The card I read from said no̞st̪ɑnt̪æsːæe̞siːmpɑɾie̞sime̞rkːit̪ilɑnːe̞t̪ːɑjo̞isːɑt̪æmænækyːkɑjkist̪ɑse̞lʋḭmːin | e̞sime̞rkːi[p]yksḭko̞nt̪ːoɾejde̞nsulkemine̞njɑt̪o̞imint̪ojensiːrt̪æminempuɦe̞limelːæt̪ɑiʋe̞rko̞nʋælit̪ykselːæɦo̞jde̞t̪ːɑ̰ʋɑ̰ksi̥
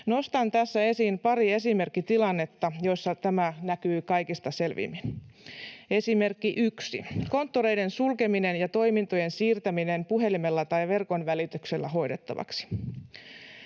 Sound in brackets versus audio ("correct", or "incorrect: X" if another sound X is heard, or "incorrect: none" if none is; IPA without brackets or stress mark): incorrect: ʔ